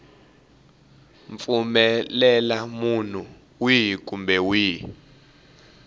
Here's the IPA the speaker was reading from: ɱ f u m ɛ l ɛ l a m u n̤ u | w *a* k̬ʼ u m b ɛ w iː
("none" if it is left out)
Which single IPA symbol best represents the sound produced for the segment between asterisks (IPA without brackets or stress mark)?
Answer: i